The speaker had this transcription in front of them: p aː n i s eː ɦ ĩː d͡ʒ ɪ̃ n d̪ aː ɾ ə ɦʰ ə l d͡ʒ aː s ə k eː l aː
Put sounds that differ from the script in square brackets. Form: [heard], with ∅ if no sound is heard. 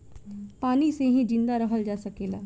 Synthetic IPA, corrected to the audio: p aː n i s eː ɦ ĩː d͡ʒ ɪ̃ n d̪ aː ɾ ə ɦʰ ə l d͡ʒ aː s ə k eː l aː